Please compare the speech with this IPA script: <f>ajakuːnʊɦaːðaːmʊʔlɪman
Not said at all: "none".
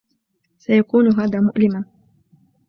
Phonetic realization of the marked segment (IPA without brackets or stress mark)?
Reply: s